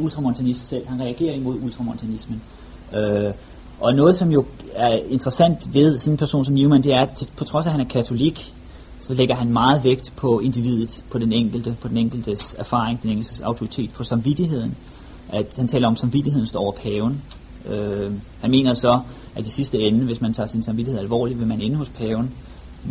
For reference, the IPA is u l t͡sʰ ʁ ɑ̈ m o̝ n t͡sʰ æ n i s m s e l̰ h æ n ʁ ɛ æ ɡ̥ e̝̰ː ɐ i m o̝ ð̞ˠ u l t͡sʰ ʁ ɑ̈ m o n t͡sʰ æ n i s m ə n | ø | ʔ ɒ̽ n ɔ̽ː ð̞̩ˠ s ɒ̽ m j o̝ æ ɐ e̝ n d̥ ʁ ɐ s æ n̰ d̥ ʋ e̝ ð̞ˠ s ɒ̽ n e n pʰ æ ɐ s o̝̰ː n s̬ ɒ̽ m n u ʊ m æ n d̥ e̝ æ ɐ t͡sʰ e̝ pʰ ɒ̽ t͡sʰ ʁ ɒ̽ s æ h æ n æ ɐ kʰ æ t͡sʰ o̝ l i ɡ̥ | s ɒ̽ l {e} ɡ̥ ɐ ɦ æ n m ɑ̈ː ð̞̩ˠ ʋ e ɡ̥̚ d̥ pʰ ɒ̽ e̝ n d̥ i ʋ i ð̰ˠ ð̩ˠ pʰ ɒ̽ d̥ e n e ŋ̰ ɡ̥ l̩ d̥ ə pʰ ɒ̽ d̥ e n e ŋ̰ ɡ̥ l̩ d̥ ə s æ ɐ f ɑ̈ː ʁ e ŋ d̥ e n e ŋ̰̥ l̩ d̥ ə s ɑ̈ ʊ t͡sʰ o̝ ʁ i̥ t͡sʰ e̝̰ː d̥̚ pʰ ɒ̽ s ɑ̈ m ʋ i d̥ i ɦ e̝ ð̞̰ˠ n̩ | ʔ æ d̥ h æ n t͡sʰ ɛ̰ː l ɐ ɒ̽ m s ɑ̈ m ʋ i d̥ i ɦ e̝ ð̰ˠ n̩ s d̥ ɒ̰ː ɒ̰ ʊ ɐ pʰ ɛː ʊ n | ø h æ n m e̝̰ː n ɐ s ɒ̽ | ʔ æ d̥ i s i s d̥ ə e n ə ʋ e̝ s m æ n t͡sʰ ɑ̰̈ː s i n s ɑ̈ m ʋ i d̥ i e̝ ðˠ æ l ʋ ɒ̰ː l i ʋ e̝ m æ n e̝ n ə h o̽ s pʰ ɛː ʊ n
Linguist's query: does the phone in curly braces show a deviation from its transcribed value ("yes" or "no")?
no